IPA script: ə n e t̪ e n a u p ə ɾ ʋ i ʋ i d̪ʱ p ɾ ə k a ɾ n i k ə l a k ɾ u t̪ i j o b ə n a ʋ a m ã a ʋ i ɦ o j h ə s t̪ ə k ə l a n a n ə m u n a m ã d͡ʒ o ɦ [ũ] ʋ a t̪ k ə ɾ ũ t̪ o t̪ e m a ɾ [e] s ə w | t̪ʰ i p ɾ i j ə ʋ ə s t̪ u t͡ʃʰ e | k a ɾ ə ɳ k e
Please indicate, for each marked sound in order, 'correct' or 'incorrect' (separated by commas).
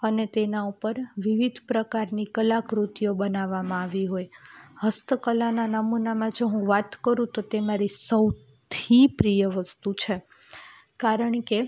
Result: correct, incorrect